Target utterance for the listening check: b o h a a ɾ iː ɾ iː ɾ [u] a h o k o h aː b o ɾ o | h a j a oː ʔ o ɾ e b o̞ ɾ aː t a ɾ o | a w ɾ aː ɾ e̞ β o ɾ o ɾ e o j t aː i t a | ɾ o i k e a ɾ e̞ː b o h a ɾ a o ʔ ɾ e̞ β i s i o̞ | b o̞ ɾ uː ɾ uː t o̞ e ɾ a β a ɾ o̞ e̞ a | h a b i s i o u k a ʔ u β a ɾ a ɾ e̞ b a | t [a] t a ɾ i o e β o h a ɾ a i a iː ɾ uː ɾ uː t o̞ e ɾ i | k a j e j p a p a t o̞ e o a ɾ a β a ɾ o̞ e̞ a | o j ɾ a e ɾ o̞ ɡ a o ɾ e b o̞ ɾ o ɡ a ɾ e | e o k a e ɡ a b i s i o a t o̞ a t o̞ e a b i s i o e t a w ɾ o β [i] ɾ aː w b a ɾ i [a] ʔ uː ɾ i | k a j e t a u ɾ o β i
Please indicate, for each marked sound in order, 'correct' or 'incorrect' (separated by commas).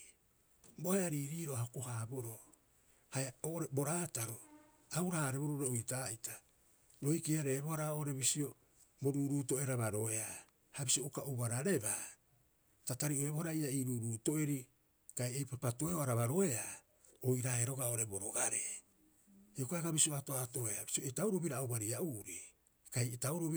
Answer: incorrect, correct, correct, correct